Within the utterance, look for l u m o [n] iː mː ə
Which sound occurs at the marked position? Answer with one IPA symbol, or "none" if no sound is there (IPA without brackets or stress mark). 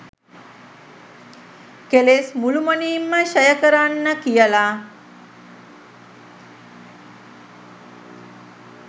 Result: n